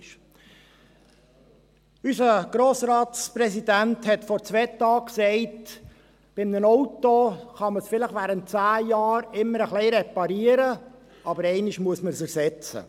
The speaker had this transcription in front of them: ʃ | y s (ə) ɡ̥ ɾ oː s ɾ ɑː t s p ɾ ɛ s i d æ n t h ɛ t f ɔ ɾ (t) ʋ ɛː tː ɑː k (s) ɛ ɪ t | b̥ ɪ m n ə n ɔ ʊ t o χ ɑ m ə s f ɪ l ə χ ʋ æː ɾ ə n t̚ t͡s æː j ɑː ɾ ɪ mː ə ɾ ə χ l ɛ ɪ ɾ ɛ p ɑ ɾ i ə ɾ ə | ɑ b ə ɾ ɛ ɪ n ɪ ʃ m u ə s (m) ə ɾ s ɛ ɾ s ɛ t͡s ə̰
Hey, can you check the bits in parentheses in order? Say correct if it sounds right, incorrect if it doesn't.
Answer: correct, incorrect: t͡s, correct, correct

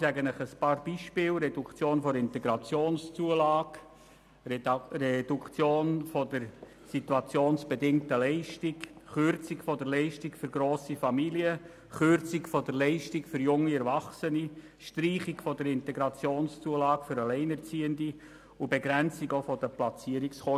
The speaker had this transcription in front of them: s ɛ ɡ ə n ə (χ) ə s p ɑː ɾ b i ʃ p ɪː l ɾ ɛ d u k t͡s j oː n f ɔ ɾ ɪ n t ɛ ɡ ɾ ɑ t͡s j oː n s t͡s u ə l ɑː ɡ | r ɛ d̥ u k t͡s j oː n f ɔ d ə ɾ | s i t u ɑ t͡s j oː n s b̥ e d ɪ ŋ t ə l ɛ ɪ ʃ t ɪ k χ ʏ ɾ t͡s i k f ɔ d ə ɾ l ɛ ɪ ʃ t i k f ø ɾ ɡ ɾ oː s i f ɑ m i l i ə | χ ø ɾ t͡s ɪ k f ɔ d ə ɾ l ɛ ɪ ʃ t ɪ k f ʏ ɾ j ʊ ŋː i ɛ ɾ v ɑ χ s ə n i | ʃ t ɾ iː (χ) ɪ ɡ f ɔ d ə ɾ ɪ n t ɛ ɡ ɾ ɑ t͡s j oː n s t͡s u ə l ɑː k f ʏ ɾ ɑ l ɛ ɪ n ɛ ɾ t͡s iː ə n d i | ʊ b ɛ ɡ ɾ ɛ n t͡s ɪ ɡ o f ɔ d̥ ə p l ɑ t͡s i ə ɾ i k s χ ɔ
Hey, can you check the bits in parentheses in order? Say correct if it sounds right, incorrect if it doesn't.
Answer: correct, correct

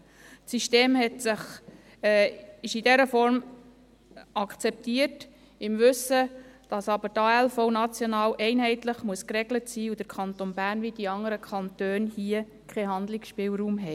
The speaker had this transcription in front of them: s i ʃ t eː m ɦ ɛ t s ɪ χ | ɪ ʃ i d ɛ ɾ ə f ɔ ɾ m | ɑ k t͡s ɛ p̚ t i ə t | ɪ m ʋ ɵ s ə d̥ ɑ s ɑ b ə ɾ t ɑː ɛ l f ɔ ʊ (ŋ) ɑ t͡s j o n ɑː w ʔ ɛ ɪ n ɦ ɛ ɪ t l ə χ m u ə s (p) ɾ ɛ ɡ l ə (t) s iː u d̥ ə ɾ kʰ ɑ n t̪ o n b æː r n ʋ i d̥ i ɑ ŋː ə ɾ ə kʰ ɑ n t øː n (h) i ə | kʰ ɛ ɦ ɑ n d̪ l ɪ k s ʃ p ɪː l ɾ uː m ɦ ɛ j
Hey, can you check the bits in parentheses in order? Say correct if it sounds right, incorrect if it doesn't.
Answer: incorrect: n, incorrect: k, correct, correct

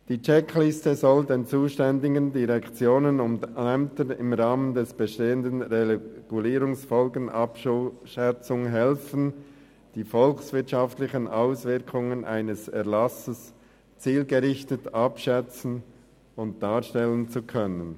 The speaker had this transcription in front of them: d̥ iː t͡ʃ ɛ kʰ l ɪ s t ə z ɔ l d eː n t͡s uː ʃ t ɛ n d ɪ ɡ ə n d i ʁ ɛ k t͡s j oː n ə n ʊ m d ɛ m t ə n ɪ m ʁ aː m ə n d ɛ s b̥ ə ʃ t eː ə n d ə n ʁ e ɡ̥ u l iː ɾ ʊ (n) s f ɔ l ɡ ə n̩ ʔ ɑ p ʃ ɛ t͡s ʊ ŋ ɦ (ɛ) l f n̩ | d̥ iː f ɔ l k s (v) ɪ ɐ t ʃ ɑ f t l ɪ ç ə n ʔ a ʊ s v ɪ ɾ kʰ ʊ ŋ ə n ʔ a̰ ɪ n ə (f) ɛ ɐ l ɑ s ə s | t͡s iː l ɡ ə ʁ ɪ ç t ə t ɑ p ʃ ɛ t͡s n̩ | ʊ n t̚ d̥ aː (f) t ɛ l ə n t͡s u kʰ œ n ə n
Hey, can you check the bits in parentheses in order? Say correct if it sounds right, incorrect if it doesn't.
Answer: incorrect: ŋ, correct, correct, incorrect: s, incorrect: ʃ

